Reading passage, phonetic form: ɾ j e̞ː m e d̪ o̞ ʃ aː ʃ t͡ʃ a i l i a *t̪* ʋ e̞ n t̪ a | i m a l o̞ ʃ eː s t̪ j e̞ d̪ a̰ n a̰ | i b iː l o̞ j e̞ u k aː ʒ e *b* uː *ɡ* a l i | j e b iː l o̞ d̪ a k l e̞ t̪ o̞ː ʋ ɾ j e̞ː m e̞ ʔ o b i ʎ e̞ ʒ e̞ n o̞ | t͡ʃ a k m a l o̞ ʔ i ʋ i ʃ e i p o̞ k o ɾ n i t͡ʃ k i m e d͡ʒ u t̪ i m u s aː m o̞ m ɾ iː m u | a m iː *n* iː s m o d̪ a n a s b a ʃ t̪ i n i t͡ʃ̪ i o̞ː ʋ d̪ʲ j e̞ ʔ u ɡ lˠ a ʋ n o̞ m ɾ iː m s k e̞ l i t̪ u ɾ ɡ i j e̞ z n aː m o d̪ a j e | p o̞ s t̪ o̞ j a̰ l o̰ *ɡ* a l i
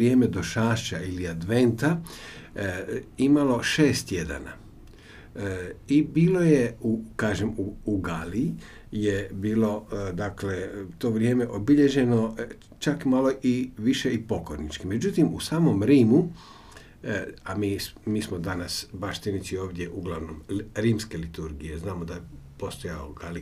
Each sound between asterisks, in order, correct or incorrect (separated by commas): incorrect, incorrect, correct, incorrect, correct